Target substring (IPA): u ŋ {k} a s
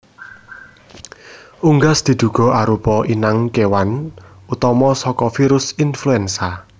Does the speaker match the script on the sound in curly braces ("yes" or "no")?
no